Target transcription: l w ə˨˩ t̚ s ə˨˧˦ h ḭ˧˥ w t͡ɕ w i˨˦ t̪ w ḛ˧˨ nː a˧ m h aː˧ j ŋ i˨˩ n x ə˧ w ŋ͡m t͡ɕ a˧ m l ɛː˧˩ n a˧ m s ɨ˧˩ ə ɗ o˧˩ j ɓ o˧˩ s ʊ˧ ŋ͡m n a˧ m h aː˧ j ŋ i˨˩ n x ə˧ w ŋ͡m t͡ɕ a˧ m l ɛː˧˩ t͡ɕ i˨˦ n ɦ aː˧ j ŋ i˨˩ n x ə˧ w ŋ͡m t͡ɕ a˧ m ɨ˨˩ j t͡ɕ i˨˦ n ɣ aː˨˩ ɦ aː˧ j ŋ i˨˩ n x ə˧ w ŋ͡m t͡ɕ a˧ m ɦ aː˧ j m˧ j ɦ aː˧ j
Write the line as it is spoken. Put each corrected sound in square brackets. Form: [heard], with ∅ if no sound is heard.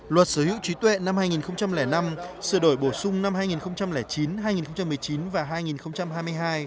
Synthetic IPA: l w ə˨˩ t̚ s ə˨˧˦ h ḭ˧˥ w t͡ɕ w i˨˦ t̪ w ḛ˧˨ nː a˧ m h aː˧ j ŋ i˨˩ n x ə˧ w ŋ͡m t͡ɕ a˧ m l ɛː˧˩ n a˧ m s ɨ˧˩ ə ɗ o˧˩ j ɓ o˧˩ s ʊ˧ ŋ͡m n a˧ m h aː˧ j ŋ i˨˩ n x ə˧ w ŋ͡m t͡ɕ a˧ m l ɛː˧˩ t͡ɕ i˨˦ n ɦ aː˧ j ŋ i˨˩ n x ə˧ w ŋ͡m t͡ɕ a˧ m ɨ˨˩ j t͡ɕ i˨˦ n [v] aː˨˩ ɦ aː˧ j ŋ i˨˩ n x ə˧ w ŋ͡m t͡ɕ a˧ m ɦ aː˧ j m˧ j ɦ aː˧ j